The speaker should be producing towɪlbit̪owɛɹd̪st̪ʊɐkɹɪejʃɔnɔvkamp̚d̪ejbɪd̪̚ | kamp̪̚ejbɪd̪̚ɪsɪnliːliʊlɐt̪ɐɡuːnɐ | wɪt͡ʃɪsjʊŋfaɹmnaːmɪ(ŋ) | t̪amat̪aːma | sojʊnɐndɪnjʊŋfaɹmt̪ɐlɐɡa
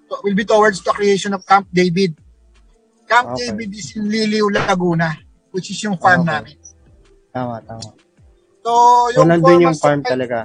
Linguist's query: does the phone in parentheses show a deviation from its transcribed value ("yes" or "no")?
yes